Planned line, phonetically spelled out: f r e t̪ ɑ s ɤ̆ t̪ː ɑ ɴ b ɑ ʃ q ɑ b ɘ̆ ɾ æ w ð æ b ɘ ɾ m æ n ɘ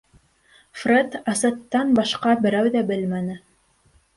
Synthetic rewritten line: f r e t̪ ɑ s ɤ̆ t̪ː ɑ n b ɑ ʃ q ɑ b ɘ̆ ɾ æ w ð æ b ɘ l m æ n ɘ